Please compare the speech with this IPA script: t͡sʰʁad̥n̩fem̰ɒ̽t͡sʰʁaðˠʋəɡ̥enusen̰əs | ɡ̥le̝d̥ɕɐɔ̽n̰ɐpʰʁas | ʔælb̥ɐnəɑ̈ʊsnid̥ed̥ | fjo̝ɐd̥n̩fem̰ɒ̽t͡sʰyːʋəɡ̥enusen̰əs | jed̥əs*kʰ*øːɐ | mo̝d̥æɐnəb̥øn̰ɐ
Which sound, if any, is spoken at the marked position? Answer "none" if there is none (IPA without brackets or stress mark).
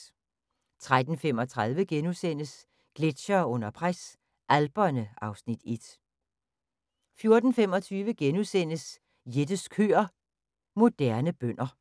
kʰ